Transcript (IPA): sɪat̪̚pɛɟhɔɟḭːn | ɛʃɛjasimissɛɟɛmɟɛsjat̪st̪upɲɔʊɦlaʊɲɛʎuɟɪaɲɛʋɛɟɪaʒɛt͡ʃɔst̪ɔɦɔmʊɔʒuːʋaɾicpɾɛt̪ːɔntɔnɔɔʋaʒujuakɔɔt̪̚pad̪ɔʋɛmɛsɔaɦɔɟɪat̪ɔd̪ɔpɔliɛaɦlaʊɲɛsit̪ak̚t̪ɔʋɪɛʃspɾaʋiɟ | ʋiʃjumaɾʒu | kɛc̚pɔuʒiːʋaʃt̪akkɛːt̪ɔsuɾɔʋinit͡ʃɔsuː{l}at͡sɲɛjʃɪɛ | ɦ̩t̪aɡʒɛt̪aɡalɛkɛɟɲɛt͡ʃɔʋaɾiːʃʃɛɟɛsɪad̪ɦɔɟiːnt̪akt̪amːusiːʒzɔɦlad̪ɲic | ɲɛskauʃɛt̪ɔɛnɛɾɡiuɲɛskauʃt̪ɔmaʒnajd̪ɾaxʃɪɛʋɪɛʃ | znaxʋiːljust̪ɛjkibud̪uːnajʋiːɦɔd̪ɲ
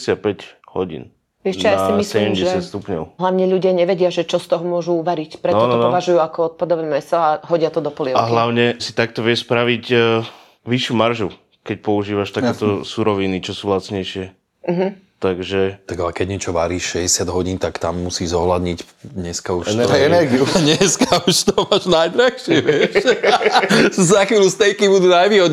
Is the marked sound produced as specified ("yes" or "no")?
yes